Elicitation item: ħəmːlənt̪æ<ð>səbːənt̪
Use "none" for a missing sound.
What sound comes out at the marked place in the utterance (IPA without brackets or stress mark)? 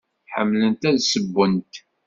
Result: ð